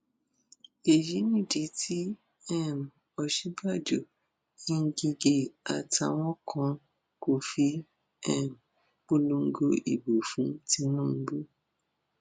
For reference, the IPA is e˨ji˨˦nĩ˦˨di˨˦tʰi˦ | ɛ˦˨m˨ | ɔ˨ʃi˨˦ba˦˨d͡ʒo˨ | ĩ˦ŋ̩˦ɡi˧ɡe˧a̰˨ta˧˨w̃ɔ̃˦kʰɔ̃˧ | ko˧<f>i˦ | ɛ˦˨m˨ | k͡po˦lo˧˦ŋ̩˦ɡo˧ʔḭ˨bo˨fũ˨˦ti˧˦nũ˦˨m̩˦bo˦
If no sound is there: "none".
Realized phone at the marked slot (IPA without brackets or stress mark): f